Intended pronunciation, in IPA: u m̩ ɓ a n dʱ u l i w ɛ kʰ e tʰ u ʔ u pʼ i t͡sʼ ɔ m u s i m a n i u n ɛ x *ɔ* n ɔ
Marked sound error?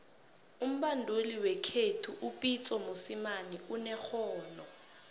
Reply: yes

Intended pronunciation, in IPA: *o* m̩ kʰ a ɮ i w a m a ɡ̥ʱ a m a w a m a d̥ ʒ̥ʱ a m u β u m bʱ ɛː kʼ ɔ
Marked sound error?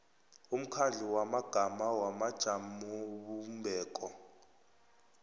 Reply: yes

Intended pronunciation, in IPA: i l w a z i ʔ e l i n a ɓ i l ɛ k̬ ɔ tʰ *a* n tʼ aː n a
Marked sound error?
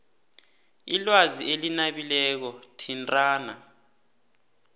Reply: yes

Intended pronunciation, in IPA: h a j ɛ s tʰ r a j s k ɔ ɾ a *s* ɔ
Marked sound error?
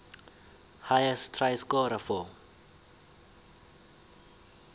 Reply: yes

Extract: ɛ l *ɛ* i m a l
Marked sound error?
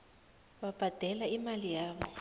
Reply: yes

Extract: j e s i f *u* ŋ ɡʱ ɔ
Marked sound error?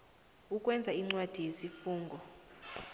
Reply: yes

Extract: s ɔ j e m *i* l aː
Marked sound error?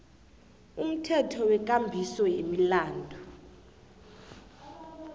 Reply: no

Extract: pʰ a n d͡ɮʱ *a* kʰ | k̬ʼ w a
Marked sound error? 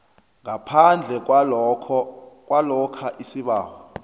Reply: yes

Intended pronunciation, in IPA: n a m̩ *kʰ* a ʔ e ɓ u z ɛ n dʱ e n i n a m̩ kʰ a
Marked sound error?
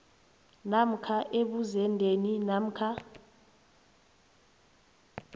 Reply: no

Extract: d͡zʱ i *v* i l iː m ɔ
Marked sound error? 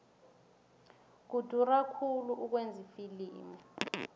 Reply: yes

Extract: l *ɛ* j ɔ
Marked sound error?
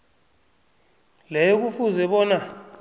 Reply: no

